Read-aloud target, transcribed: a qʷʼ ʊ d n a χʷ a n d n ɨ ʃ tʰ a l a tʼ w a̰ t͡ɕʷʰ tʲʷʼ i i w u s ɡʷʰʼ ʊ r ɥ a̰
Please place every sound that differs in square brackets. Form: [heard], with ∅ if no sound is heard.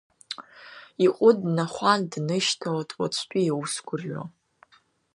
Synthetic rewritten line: [i] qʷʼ ʊ d n a χʷ a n d n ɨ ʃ tʰ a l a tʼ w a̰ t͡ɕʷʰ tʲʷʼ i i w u s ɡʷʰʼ ʊ r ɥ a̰